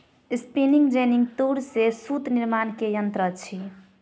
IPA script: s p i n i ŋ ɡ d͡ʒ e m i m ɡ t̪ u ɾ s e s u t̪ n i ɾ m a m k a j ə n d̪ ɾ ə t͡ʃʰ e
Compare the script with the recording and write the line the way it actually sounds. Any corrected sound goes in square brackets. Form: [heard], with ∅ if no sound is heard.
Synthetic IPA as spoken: s p i n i ŋ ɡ d͡ʒ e [n] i [ŋ] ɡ t̪ u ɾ s e s u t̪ n i ɾ m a [n] k [e] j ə n [t̪] ɾ ə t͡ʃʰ [i]